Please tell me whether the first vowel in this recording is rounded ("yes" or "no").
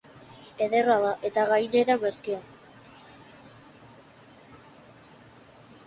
no